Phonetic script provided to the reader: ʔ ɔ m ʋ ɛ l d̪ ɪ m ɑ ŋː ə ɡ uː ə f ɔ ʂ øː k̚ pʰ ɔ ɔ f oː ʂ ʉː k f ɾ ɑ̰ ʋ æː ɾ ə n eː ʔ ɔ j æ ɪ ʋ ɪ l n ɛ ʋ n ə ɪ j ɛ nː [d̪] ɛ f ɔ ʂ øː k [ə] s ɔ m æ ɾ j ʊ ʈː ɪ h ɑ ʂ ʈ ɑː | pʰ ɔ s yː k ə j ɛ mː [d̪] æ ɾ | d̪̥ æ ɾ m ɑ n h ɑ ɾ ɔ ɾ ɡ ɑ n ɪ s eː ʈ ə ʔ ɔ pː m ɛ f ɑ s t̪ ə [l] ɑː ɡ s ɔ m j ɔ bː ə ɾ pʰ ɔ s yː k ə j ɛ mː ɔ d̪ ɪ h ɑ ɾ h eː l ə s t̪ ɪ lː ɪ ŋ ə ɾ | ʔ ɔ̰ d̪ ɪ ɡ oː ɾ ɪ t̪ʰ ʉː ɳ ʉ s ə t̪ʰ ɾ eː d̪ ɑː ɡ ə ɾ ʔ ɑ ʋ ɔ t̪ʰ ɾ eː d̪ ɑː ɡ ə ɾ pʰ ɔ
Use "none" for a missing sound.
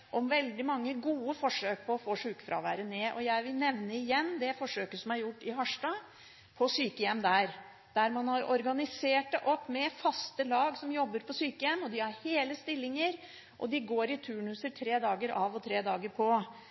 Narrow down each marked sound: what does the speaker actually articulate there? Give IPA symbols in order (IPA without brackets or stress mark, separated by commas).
d̪, ə, d̪, l